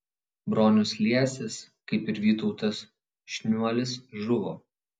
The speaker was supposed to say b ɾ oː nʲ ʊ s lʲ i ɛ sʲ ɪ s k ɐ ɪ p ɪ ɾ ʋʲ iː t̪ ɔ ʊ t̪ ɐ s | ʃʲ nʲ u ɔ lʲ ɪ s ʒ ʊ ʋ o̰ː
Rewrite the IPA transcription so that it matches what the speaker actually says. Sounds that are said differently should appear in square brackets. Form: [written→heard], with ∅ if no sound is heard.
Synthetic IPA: b ɾ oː nʲ ʊ s lʲ i ɛ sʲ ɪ s k ɐ ɪ p ɪ ɾ ʋʲ iː t̪ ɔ ʊ t̪ ɐ s | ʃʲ nʲ u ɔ lʲ ɪ s ʒ ʊ ʋ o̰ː

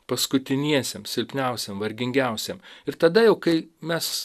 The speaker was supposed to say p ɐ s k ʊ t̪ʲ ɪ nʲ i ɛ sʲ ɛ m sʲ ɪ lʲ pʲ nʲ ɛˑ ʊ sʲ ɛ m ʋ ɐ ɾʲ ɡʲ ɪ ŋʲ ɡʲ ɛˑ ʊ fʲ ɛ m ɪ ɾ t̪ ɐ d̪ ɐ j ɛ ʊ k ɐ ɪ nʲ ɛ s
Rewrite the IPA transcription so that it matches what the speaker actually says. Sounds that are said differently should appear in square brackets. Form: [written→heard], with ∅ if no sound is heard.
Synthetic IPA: p ɐ s k ʊ t̪ʲ ɪ nʲ i ɛ sʲ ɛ m sʲ ɪ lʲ pʲ nʲ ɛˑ ʊ sʲ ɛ m ʋ ɐ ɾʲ ɡʲ ɪ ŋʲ ɡʲ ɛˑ ʊ [fʲ→sʲ] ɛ m ɪ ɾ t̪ ɐ d̪ ɐ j ɛ ʊ k ɐ ɪ [nʲ→mʲ] ɛ s

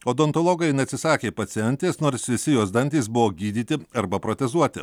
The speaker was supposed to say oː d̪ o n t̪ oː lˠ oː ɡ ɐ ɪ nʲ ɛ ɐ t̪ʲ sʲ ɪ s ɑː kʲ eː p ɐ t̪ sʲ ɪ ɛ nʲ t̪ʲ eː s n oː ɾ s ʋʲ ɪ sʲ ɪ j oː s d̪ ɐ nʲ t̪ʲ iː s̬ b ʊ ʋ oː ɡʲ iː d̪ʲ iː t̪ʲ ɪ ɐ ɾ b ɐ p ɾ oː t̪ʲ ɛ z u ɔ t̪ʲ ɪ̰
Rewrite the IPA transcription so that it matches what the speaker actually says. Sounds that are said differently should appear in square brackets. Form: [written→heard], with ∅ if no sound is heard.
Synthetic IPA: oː d̪ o n t̪ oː lˠ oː ɡ ɐ ɪ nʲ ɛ ɐ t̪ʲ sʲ ɪ s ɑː kʲ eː p ɐ t̪ sʲ ɪ ɛ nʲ t̪ʲ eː s n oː ɾ s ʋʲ ɪ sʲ ɪ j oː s d̪ ɐ nʲ t̪ʲ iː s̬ b ʊ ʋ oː ɡʲ iː d̪ʲ iː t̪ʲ ɪ ɐ ɾ b ɐ p ɾ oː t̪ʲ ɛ z u ɔ t̪ʲ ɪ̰

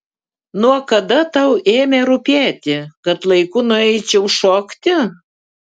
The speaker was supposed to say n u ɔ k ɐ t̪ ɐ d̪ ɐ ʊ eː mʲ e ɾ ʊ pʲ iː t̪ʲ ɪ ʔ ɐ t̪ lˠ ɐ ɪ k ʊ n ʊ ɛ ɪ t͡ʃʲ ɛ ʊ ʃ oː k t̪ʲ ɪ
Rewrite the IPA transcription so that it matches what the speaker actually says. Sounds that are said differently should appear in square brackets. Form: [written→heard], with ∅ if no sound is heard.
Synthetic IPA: n u ɔ k ɐ [t̪→d̪] ɐ [d̪→t̪] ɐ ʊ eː mʲ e ɾ ʊ pʲ [iː→æː] t̪ʲ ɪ [ʔ→k] ɐ t̪ lˠ ɐ ɪ k ʊ n ʊ ɛ ɪ t͡ʃʲ ɛ ʊ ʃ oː k t̪ʲ ɪ

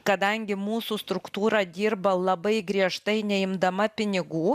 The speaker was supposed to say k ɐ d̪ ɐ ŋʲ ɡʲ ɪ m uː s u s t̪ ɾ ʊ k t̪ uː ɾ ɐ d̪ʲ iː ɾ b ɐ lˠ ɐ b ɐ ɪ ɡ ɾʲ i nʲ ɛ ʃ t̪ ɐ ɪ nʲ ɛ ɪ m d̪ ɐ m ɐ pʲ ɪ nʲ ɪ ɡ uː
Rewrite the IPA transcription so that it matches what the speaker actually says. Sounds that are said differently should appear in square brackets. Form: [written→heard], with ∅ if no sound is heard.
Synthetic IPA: k ɐ d̪ ɐ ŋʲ ɡʲ ɪ m uː s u s t̪ ɾ ʊ k t̪ uː ɾ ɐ d̪ʲ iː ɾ b ɐ lˠ ɐ b ɐ ɪ ɡ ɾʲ i [nʲ→∅] ɛ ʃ t̪ ɐ ɪ nʲ ɛ ɪ m d̪ ɐ m ɐ pʲ ɪ nʲ ɪ ɡ uː

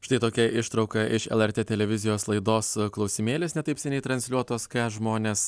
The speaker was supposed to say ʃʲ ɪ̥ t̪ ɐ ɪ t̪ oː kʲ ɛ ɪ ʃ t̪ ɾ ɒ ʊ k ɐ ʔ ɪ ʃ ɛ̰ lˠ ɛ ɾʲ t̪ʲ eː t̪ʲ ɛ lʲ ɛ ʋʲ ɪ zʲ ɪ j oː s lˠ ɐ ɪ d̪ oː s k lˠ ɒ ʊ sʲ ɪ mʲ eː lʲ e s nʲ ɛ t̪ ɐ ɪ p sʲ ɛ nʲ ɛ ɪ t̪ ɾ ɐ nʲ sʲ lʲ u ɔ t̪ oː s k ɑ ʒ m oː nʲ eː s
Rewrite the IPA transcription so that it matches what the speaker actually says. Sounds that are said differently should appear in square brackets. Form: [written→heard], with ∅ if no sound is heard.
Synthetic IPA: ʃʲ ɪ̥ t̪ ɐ ɪ t̪ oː kʲ ɛ ɪ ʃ t̪ ɾ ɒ ʊ k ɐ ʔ ɪ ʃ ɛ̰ lˠ ɛ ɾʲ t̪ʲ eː t̪ʲ ɛ lʲ ɛ ʋʲ ɪ zʲ ɪ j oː s lˠ ɐ ɪ d̪ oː s k lˠ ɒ ʊ sʲ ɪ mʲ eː lʲ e s nʲ ɛ t̪ ɐ ɪ p sʲ ɛ nʲ ɛ ɪ t̪ ɾ ɐ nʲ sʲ lʲ u ɔ t̪ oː s k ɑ ʒ m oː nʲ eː s

